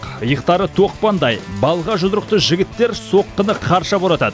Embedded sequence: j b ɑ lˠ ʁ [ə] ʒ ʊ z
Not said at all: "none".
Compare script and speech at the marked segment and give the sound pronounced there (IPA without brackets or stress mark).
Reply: ɑ